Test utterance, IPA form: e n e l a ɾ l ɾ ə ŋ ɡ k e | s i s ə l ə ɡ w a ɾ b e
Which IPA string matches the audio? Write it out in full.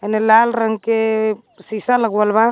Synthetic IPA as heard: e n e l a l ɾ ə ŋ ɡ k e | s i s a l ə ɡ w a l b a